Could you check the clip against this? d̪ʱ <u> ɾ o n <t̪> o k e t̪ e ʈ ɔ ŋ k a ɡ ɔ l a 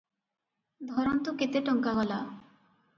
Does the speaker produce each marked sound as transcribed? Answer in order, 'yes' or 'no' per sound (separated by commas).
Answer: no, yes